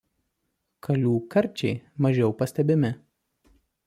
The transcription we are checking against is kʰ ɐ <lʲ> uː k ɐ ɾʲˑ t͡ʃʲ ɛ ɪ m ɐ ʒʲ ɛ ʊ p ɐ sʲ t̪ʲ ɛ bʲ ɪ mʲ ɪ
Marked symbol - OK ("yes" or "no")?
yes